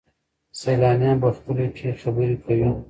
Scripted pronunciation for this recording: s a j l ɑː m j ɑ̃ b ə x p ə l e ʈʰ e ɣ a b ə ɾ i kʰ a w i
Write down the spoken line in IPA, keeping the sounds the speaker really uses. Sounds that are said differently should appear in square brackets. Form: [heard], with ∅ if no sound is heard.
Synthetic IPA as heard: s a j l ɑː [n] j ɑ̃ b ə x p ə l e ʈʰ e [x] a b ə ɾ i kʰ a w i